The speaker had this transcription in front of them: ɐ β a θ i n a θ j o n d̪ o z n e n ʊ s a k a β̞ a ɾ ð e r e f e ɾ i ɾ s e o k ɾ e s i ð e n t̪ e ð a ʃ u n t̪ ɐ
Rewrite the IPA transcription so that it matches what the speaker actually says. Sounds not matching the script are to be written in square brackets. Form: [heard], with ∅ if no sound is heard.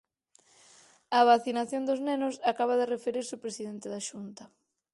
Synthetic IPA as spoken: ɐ β a θ i n a θ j o n d̪ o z n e n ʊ s a k a β̞ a [∅] ð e r e f e ɾ i ɾ s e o [p] ɾ e s i ð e n t̪ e ð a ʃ u n t̪ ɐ